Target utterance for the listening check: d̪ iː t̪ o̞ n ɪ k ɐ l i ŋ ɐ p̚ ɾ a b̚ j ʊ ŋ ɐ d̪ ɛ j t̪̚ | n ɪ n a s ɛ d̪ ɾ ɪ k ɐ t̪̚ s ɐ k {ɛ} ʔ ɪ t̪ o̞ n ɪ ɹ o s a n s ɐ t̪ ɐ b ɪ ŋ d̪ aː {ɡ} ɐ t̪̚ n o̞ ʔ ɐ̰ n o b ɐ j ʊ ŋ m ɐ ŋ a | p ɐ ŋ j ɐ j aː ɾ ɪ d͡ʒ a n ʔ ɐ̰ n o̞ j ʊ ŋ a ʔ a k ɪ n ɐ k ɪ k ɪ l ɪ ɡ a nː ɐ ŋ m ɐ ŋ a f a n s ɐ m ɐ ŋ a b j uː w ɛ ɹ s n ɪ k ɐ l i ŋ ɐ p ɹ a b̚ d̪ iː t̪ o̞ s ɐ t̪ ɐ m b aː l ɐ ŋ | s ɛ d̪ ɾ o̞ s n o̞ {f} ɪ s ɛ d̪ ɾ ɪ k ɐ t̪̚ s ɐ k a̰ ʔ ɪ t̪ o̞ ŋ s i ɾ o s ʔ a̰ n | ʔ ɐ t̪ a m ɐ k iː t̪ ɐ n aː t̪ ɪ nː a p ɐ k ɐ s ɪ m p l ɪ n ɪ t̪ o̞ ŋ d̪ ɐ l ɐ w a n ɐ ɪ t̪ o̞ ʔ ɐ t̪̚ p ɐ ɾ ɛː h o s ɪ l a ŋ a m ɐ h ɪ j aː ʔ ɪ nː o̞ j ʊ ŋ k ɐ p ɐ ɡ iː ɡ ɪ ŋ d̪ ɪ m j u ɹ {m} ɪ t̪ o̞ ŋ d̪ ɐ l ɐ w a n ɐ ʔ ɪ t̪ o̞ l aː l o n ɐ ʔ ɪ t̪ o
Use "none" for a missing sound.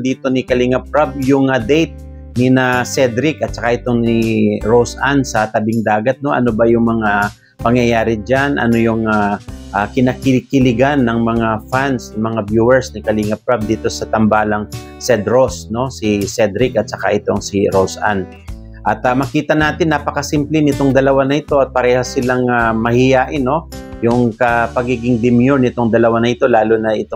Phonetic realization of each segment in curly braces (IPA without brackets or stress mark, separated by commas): a, ɡ, s, n